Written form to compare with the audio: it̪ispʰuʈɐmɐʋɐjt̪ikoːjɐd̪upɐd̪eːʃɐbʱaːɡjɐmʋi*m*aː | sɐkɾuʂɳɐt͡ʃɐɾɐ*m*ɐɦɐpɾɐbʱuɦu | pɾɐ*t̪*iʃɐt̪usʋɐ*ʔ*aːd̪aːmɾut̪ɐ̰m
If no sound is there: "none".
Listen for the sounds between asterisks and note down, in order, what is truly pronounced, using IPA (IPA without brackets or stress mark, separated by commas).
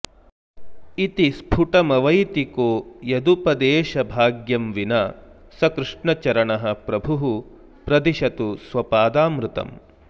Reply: n, ɳ, d̪, p